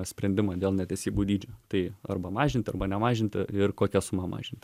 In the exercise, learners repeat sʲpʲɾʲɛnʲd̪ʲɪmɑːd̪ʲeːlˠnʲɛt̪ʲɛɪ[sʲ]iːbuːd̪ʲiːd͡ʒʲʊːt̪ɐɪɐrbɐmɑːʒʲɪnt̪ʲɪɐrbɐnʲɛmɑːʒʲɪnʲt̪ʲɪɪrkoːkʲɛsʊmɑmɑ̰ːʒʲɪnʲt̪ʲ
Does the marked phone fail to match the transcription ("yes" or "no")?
no